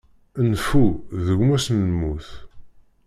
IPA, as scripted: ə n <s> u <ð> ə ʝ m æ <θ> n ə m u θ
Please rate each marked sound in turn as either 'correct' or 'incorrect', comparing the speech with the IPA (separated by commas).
incorrect, correct, incorrect